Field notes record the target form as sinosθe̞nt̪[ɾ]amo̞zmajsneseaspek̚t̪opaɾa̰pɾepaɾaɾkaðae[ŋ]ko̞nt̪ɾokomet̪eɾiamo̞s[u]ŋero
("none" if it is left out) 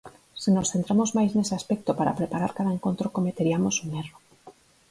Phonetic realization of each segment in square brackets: ɾ, ŋ, u

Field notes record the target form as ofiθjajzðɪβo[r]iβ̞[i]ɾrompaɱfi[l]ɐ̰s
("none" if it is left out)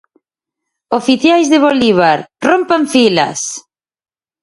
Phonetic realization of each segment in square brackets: l, a, l

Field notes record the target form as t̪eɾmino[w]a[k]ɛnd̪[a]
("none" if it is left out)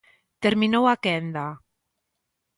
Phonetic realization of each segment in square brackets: w, k, a

